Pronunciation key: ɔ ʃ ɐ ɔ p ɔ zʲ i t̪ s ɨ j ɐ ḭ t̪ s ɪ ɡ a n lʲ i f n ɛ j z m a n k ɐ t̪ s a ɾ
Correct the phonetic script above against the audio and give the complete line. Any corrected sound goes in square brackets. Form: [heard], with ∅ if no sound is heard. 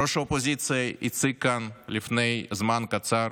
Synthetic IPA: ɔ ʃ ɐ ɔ p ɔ zʲ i t̪ s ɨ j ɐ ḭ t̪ s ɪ [k] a n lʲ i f n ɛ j z m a n k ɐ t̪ s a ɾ